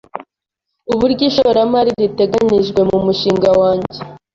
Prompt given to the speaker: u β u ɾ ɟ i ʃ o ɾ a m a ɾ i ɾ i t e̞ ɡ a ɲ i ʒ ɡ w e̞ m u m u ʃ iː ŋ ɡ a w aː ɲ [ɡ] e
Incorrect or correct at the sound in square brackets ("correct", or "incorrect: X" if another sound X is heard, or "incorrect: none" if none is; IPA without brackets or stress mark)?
incorrect: ɟ